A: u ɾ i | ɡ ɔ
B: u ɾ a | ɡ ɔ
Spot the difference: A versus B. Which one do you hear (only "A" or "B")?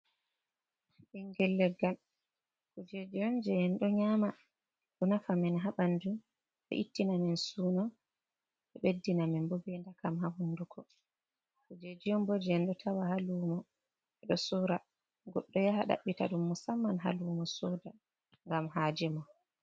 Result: B